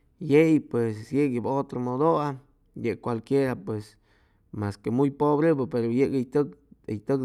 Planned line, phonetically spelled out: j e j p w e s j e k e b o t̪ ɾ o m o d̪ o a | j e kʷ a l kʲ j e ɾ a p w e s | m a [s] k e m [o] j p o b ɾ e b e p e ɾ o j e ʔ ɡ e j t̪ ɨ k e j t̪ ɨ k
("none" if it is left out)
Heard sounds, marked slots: s, u

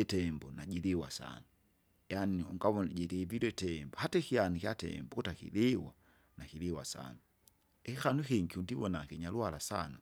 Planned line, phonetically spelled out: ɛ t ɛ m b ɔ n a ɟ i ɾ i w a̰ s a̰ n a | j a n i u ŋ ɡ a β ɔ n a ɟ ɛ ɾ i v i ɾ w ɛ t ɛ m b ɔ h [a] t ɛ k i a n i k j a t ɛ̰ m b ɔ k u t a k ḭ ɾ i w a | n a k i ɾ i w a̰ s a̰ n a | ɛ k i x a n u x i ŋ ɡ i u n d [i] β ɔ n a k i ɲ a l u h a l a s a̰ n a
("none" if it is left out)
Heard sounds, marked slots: a, i

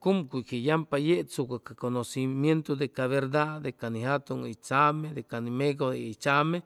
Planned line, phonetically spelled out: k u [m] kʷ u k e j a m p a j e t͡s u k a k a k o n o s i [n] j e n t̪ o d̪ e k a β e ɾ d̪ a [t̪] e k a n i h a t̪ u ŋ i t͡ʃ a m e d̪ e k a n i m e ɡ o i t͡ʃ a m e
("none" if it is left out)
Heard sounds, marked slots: m, m, d̪

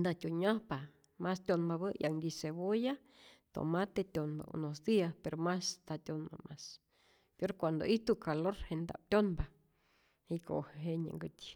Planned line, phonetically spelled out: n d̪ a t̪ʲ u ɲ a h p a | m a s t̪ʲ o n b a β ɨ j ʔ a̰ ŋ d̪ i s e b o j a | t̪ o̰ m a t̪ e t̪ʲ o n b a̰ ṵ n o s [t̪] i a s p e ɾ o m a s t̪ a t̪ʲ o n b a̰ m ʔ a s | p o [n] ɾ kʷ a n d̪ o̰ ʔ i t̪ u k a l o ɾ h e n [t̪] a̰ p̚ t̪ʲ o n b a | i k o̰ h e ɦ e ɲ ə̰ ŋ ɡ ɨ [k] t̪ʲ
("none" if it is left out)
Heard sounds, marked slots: d̪, none, d̪, none

